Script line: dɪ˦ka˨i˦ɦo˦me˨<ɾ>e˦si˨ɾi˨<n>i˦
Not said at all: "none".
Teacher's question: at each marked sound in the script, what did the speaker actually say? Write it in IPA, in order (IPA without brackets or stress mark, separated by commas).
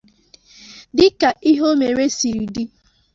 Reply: ɾ, d